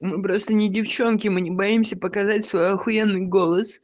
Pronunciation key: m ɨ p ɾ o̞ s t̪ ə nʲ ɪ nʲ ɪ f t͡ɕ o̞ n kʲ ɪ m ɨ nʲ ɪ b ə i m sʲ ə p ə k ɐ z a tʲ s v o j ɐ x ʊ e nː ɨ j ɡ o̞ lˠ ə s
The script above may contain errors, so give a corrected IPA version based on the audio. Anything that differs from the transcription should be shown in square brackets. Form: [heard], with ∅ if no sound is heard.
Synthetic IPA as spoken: m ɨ p ɾ o̞ s t̪ ə nʲ ɪ [dʲ] ɪ f t͡ɕ o̞ n kʲ ɪ m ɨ nʲ ɪ b [ɐ] i m sʲ ə p ə k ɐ z a tʲ s v o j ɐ x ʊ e nː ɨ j ɡ o̞ lˠ ə s

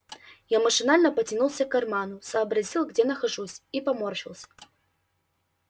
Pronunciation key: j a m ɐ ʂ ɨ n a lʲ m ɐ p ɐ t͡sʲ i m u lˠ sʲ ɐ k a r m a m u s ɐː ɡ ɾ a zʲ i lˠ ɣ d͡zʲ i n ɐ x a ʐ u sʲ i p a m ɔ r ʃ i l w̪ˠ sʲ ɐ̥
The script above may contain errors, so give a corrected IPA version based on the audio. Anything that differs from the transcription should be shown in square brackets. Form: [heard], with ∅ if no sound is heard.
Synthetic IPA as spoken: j a m ɐ ʂ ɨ n a lʲ [n] ɐ p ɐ t͡sʲ i [n] u lˠ sʲ ɐ k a r m a [n] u s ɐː [b] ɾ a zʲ i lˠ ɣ d͡zʲ [ɛ] n ɐ x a ʐ u sʲ i p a m ɔ r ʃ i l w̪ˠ sʲ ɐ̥

